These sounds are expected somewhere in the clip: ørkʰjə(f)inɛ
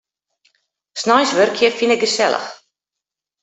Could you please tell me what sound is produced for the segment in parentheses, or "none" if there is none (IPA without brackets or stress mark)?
f